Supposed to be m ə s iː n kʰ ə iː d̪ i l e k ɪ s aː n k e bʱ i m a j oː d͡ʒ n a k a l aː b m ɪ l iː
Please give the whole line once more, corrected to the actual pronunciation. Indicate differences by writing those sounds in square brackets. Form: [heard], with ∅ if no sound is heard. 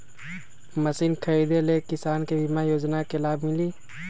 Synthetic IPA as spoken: m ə s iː n kʰ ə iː d̪ [e] l e k ɪ s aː n k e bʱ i m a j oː d͡ʒ n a k [e] l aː b m ɪ l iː